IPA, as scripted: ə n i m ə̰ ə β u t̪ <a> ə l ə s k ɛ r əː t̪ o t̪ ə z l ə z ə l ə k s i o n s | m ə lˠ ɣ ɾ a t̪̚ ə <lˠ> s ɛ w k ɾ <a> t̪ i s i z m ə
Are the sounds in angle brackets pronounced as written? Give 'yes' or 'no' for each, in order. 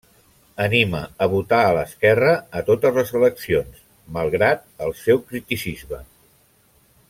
yes, yes, no

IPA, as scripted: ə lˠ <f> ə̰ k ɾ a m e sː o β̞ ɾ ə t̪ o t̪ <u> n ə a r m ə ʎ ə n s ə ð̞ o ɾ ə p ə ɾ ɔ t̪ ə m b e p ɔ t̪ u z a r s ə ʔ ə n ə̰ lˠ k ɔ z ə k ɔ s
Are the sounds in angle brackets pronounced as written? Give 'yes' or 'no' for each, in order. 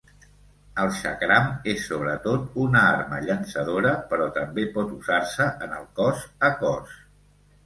no, yes

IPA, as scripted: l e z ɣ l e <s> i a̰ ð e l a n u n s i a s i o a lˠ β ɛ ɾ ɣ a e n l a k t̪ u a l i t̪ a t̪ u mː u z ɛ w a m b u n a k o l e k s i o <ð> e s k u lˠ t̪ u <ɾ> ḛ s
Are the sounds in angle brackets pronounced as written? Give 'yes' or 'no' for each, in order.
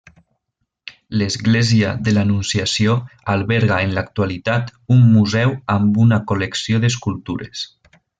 no, yes, yes

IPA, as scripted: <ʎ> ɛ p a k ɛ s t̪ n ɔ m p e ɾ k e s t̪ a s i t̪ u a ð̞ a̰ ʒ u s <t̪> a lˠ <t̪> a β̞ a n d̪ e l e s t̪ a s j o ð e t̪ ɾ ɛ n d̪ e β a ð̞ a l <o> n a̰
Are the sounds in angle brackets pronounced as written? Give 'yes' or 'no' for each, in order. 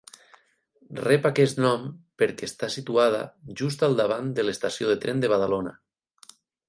no, yes, no, yes

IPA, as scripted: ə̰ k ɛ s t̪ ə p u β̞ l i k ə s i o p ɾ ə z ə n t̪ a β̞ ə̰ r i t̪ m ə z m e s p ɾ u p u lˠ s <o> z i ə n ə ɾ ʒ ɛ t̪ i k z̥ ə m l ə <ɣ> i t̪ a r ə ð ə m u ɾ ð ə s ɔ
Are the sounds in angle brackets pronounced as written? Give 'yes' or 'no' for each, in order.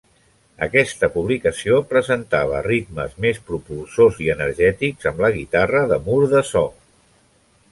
yes, yes

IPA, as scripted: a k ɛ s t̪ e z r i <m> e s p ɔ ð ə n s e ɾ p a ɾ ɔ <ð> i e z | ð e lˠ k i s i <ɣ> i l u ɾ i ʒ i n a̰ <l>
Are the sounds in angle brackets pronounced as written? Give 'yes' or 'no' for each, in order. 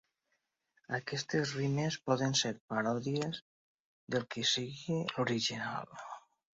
yes, yes, yes, yes

